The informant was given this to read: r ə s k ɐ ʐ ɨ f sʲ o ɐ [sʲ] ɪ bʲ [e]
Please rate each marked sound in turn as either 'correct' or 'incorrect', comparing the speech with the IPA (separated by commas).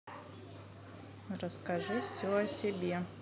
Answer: correct, correct